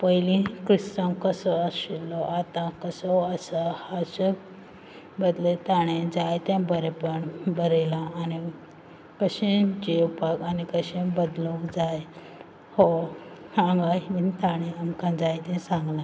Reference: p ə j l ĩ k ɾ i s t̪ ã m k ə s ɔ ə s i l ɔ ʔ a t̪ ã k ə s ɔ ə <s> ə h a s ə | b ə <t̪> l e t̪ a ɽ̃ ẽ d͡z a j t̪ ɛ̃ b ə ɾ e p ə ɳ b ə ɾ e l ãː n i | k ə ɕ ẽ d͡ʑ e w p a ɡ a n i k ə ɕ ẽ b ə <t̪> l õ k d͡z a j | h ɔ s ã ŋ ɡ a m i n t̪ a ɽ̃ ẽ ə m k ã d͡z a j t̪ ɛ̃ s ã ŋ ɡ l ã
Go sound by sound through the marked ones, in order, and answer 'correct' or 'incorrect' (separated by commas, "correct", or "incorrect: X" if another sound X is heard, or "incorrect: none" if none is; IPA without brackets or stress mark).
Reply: correct, incorrect: d̪, incorrect: d̪